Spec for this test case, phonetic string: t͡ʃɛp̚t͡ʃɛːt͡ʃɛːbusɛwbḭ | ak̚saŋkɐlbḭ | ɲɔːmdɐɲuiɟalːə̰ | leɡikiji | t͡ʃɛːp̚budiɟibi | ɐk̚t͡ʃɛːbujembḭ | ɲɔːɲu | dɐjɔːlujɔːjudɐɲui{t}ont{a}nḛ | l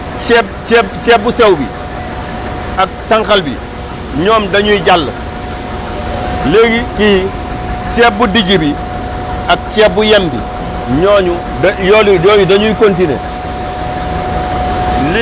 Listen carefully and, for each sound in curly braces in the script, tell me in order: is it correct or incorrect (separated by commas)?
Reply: incorrect, incorrect